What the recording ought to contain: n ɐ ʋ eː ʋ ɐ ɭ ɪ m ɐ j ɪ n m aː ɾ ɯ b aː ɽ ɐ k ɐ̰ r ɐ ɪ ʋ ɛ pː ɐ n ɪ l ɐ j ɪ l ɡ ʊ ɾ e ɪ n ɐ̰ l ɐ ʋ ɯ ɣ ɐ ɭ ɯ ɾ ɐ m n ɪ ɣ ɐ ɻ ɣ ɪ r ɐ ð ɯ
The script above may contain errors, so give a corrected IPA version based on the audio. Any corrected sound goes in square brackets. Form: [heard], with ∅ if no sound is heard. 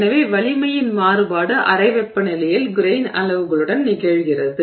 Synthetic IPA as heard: n ɐ ʋ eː ʋ ɐ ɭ ɪ m ɐ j ɪ n m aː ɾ ɯ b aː ɽ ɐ [ʔ] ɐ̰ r ɐ ɪ ʋ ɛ pː ɐ n ɪ l ɐ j ɪ l ɡ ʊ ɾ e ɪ n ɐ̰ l ɐ ʋ ɯ ɣ ɐ ɭ ɯ [ɽ] ɐ [n] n ɪ ɣ ɐ ɻ ɣ ɪ r ɐ ð ɯ